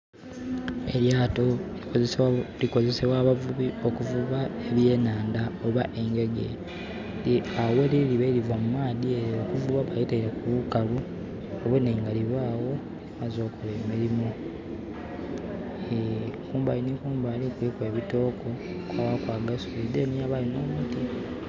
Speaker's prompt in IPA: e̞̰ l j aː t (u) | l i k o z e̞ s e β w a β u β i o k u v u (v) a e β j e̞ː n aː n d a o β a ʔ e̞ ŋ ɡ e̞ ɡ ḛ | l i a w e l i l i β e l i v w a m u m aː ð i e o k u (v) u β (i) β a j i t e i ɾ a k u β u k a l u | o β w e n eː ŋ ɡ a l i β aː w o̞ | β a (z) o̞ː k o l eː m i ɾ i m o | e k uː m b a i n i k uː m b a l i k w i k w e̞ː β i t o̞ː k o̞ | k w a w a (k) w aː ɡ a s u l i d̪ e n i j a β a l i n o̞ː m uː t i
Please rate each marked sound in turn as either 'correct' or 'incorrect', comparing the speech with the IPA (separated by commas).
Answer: incorrect, incorrect, correct, incorrect, correct, correct